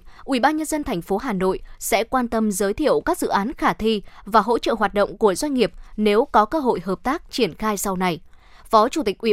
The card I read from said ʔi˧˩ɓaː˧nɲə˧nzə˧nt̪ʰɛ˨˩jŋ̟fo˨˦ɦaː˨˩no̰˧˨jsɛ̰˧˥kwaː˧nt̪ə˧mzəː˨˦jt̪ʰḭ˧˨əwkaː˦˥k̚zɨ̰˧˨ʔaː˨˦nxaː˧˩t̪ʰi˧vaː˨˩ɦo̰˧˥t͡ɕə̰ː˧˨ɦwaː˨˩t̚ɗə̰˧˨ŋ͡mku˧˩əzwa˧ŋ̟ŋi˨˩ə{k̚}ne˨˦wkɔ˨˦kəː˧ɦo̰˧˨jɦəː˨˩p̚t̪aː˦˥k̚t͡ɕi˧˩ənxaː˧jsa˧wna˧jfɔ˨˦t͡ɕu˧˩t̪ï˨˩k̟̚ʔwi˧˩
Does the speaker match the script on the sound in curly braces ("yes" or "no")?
no